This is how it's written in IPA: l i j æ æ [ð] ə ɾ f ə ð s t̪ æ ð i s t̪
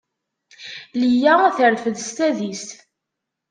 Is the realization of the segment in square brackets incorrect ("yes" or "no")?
yes